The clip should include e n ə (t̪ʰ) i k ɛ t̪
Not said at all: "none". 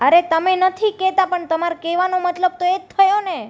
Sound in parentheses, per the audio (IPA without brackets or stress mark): t̪ʰ